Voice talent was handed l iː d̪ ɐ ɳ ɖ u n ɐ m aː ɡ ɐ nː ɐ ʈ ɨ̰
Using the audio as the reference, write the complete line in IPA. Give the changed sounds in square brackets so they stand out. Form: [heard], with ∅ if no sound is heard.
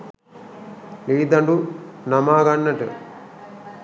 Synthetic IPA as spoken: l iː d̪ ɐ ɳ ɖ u n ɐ m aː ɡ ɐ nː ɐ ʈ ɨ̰